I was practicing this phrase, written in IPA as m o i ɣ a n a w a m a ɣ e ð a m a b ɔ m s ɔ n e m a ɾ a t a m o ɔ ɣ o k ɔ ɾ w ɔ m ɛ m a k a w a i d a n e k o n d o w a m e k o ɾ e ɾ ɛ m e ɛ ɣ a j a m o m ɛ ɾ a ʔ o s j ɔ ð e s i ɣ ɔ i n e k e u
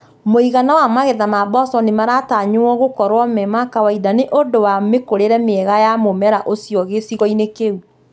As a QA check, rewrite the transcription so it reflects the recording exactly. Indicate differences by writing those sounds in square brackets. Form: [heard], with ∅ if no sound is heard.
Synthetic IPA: m o i ɣ a n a w a m a ɣ e ð a m a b ɔ [∅] s ɔ n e m a ɾ a t a [ɲ] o ɔ ɣ o k ɔ ɾ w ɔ m ɛ m a k a w a i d a n e [ʔ] o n d o w a m e k o ɾ e ɾ ɛ m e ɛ ɣ a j a m o m ɛ ɾ a ʔ o s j ɔ [ɣ] e s i ɣ ɔ i n e k e u